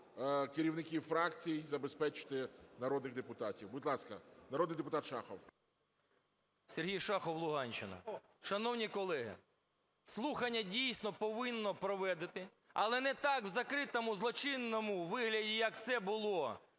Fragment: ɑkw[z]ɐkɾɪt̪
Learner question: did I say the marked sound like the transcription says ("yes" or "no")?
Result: yes